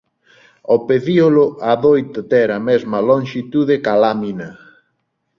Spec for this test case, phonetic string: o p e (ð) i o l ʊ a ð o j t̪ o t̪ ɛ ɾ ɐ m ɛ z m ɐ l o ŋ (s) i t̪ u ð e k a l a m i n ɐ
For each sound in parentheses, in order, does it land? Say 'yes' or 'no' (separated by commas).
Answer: yes, no